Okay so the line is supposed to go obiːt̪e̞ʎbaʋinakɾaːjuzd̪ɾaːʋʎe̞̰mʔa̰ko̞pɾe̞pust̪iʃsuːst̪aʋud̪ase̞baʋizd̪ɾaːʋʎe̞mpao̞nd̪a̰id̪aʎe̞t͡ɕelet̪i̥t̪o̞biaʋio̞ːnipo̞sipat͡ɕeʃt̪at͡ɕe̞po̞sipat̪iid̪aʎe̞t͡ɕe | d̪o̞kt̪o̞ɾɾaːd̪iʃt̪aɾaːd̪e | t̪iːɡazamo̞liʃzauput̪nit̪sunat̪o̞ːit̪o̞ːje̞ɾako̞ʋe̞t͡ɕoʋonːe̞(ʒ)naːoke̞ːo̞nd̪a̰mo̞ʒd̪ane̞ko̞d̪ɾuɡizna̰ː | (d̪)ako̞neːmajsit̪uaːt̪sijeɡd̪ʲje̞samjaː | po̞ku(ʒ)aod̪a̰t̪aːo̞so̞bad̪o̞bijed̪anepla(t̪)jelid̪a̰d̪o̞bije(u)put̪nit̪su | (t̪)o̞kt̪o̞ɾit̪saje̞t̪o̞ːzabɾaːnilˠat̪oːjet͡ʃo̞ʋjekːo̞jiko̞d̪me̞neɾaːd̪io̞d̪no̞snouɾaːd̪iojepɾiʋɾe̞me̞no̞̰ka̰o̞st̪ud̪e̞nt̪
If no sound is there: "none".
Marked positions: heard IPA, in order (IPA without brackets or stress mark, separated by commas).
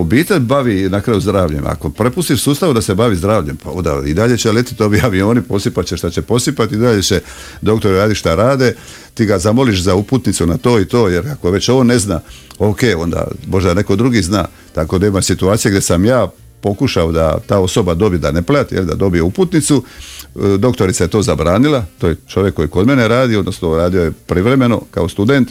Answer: z, t̪, ʃ, t̪, u, d̪